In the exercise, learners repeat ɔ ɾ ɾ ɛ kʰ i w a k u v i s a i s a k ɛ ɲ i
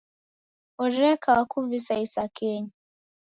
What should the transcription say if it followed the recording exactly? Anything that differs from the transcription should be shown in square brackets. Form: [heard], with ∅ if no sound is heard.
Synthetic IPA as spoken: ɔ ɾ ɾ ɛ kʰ [a] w a k u v i s a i s a k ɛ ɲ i